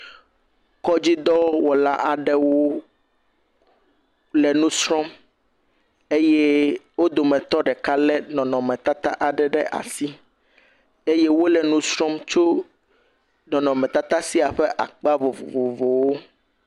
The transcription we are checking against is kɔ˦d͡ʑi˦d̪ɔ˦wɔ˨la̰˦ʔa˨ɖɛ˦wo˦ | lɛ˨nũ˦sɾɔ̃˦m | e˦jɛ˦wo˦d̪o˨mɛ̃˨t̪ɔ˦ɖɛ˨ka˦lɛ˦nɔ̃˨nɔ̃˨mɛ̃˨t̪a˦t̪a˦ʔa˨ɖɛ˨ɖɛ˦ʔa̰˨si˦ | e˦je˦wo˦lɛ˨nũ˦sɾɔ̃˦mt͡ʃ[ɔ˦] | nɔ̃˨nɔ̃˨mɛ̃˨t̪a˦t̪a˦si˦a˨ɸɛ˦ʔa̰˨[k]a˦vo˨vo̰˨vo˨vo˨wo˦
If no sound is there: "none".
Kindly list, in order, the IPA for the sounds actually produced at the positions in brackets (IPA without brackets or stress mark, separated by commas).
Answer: o˦, k͡p